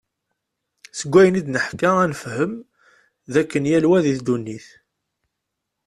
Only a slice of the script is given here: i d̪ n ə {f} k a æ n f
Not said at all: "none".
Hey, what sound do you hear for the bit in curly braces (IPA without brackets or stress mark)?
ħ